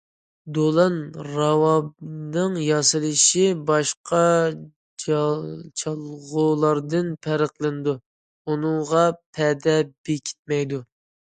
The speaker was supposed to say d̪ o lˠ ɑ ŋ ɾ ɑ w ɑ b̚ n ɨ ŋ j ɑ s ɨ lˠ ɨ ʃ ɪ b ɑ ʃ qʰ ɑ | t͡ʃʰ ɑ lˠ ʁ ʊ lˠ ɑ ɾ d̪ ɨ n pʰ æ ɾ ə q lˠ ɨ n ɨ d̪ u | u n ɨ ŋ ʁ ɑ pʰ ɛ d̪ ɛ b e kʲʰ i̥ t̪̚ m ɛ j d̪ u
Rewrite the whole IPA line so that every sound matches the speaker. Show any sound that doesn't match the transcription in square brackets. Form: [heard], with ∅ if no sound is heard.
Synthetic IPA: d̪ o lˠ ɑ [n] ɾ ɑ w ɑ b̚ n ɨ ŋ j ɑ s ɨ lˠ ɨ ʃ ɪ b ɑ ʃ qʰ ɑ | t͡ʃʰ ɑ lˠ ʁ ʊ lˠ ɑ ɾ d̪ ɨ n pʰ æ ɾ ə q lˠ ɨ n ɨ d̪ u | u n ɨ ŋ ʁ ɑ pʰ ɛ d̪ ɛ b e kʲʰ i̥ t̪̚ m ɛ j d̪ u